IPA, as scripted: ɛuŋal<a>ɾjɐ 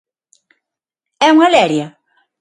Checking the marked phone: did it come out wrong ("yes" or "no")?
yes